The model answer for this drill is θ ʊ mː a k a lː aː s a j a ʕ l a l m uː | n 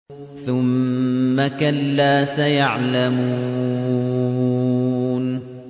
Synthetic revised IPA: θ ʊ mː a k a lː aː s a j a ʕ l a m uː | n